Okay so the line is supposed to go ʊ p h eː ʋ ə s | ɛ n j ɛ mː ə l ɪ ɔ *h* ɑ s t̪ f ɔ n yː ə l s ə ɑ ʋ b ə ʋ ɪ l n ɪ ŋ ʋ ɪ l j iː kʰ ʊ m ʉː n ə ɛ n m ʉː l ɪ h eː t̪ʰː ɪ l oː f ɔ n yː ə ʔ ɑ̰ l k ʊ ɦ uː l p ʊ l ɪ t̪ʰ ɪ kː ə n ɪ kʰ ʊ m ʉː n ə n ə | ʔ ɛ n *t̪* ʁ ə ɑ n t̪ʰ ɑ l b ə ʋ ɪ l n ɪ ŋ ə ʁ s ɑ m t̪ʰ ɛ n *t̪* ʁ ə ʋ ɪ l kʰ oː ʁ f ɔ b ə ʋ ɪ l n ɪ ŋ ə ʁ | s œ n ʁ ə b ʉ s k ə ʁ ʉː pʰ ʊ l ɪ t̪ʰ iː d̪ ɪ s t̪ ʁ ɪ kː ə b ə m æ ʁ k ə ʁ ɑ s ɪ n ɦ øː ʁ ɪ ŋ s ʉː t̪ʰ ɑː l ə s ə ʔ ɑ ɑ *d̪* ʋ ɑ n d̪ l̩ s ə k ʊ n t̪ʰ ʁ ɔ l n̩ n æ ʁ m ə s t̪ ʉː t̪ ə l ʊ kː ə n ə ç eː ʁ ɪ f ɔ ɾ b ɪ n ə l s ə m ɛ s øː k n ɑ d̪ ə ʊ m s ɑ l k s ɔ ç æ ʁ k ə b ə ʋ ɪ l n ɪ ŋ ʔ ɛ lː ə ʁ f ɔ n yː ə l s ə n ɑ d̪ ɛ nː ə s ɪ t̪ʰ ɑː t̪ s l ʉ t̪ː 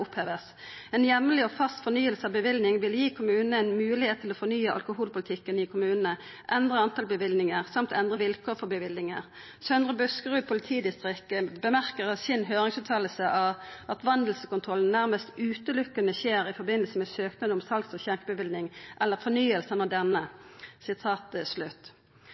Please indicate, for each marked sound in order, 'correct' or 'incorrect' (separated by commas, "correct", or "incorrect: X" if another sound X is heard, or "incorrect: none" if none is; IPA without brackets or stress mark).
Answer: incorrect: f, incorrect: d̪, incorrect: d̪, incorrect: t̪